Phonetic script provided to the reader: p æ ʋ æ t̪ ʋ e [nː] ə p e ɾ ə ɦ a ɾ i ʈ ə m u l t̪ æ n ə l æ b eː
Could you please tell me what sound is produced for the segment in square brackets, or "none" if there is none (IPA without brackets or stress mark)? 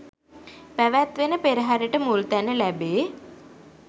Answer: n